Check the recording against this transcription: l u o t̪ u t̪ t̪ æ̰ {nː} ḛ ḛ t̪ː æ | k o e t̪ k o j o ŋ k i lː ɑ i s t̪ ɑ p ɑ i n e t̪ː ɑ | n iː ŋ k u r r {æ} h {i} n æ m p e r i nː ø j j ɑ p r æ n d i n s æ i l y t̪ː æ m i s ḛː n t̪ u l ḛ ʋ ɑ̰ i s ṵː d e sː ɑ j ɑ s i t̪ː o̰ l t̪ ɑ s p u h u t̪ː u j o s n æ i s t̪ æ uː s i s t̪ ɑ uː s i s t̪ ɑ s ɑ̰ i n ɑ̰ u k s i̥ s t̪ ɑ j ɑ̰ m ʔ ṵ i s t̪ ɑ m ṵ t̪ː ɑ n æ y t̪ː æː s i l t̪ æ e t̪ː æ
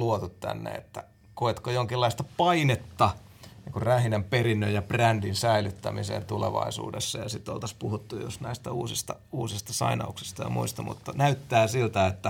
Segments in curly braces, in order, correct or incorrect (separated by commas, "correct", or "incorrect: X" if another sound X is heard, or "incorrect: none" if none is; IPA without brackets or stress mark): correct, correct, correct